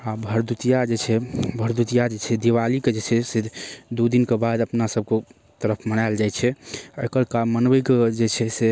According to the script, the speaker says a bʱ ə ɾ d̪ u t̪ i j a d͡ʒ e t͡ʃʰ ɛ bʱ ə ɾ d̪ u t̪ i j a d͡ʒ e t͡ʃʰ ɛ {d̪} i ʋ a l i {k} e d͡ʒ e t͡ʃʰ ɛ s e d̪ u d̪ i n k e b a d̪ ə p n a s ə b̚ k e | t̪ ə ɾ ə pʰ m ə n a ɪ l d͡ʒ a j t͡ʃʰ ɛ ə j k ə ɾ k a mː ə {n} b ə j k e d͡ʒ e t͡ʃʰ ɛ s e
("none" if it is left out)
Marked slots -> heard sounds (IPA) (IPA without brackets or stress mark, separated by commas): d̪, k, n